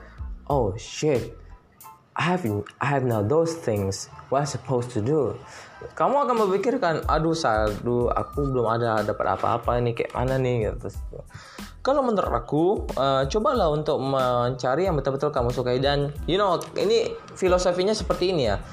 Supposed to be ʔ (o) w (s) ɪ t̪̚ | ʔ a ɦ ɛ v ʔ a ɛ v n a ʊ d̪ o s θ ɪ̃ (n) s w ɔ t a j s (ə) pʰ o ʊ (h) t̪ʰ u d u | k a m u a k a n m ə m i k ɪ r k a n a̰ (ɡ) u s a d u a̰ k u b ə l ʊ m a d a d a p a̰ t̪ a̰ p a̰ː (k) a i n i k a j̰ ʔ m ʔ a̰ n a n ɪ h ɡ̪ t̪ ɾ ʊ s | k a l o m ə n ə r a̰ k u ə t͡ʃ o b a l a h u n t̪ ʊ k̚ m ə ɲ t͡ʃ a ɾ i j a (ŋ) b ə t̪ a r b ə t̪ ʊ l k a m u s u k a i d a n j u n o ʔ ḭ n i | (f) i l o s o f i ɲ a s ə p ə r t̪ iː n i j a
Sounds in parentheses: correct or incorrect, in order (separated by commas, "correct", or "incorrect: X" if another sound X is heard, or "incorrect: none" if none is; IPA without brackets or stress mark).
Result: correct, incorrect: ʃ, incorrect: ŋ, correct, incorrect: s, incorrect: d, incorrect: p, correct, correct